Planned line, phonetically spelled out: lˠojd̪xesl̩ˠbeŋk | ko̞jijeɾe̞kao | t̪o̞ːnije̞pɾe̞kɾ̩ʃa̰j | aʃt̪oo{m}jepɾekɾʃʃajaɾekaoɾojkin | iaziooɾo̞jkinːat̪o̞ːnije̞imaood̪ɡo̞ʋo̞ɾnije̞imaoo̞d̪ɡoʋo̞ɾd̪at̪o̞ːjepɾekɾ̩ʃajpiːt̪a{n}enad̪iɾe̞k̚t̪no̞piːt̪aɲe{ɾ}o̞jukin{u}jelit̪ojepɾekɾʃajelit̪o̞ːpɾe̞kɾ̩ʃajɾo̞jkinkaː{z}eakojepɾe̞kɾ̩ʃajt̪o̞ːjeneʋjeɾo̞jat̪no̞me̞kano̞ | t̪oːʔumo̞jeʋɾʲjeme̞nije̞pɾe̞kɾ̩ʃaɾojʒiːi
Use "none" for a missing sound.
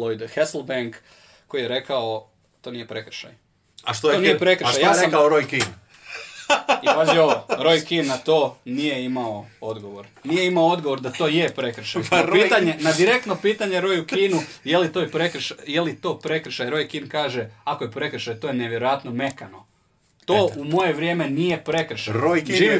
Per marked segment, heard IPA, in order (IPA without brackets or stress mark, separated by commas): n, ɲ, ɾ, u, ʒ